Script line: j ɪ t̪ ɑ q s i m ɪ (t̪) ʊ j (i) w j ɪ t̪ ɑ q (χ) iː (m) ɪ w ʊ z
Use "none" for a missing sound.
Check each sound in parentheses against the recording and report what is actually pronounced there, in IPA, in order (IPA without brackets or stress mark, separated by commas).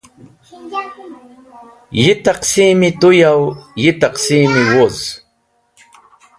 t̪, a, s, m